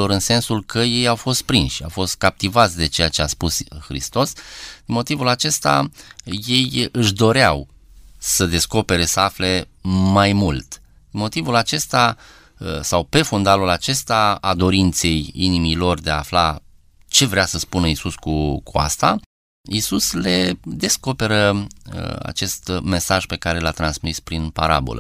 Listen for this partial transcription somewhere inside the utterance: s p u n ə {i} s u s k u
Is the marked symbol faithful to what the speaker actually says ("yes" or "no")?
yes